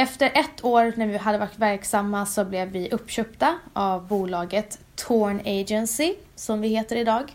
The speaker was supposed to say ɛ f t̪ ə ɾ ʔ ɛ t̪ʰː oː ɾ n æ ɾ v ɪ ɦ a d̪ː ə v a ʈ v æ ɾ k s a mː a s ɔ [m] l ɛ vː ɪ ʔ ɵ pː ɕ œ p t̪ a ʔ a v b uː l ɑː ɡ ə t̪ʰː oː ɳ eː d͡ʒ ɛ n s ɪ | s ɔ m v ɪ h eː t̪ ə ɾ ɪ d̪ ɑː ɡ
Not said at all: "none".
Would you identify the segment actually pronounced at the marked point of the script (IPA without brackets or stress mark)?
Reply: b